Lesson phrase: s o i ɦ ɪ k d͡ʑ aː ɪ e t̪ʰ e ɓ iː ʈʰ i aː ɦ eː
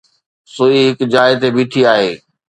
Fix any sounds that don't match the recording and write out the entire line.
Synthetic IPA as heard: s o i ɦ ɪ k d͡ʑ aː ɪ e t̪ e b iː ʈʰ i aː ɦ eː